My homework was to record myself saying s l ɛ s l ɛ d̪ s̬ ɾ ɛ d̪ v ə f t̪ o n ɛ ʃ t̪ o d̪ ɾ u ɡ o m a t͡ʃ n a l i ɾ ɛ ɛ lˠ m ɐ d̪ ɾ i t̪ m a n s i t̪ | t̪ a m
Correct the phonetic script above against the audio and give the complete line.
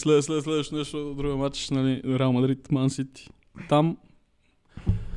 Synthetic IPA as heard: s l ɛ s l ɛ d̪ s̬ l ɛ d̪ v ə ʃ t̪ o n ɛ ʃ t̪ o d̪ ɾ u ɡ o m a t͡ʃ n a l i ɾ ɛ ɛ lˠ m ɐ d̪ ɾ i t̪ m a n s i t̪ | t̪ a m